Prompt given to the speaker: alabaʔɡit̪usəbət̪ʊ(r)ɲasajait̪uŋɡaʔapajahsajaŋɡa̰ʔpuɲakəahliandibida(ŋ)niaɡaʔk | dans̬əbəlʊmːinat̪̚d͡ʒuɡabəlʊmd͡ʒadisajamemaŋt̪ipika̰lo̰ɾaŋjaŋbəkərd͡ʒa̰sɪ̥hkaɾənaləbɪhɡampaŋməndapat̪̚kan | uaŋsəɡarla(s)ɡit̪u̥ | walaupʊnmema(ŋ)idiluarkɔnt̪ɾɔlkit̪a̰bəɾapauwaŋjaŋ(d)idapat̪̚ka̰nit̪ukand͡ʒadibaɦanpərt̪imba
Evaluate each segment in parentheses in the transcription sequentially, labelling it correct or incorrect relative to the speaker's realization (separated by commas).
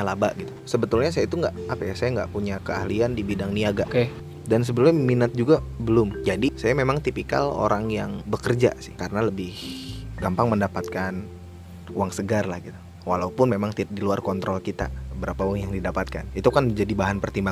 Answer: incorrect, correct, incorrect, correct, correct